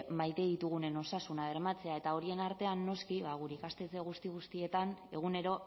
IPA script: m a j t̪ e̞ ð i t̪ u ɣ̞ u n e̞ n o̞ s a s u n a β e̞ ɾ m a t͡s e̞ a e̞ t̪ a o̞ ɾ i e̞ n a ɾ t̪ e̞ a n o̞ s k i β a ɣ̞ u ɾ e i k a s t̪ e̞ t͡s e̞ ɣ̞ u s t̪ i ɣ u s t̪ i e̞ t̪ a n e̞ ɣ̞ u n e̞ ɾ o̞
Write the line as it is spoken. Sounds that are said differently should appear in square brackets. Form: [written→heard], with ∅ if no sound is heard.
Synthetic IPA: m a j t̪ e̞ ð i t̪ u ɣ̞ u n e̞ n o̞ s a s u n a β e̞ ɾ m a t͡s e̞ a e̞ t̪ a o̞ ɾ i e̞ n a ɾ t̪ e̞ a [n→nː] o̞ s k i β a ɣ̞ u ɾ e i k a s t̪ e̞ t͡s e̞ ɣ̞ u s t̪ i ɣ u s t̪ i e̞ t̪ a n e̞ ɣ̞ u n e̞ ɾ o̞